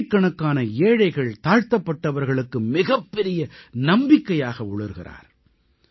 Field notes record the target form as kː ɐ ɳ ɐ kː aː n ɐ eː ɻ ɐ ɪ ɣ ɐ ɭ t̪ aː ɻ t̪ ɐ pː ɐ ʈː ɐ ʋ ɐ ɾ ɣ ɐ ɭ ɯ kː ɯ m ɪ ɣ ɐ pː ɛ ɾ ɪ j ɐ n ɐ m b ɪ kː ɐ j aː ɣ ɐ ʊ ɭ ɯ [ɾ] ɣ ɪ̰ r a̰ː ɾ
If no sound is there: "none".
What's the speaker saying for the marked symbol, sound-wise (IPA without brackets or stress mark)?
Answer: ɾ